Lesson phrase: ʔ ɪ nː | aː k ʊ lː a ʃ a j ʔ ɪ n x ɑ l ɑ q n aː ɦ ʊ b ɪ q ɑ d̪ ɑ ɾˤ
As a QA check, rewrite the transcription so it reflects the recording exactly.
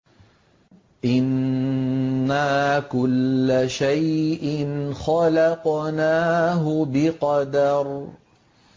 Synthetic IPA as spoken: ʔ ɪ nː | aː k ʊ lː a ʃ a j ʔ ɪ n x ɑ l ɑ q n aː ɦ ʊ b ɪ q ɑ d̪ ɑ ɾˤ